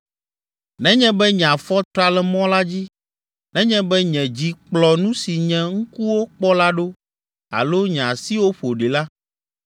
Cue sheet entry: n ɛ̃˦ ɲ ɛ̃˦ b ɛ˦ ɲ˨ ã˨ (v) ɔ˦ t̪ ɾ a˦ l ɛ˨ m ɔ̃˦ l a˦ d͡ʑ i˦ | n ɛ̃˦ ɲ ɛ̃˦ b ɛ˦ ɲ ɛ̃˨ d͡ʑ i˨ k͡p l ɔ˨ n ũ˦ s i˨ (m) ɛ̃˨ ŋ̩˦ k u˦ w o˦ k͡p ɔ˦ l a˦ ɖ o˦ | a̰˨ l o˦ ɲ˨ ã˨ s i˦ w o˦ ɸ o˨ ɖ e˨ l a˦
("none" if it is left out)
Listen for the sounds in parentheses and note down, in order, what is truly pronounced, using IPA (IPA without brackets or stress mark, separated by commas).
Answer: f, ɲ